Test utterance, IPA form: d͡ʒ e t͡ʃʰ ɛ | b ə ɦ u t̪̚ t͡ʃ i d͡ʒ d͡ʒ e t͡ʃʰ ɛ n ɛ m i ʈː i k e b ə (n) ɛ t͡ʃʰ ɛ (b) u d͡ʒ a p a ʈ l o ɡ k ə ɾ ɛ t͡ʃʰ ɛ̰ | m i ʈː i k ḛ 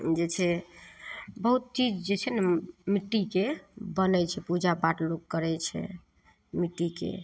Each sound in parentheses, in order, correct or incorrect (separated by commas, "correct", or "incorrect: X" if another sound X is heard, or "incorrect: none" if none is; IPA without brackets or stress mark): correct, incorrect: p